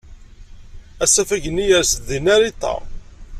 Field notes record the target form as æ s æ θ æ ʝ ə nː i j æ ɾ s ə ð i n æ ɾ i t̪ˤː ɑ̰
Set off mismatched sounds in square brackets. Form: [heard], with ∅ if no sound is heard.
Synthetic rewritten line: æ s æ [f] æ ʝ ə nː i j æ ɾ s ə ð i n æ ɾ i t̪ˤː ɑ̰